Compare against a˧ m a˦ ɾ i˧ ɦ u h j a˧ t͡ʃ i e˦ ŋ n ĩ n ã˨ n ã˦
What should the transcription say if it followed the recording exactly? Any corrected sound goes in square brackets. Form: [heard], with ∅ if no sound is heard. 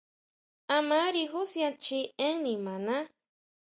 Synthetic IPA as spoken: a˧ m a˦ ɾ i˧ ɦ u [s] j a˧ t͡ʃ i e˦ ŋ n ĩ [m] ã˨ n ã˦